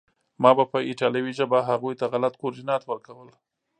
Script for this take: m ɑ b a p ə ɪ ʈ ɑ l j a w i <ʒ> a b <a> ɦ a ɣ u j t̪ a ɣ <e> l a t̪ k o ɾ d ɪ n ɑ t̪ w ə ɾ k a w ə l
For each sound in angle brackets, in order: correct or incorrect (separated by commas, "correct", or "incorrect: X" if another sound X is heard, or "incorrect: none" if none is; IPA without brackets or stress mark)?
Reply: correct, correct, incorrect: a